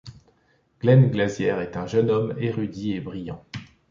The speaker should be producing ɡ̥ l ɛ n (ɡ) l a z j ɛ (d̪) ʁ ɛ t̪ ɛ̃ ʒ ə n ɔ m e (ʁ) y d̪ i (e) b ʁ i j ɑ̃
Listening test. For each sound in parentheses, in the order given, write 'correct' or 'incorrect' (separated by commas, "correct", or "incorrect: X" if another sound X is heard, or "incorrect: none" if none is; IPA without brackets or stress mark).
correct, incorrect: none, correct, correct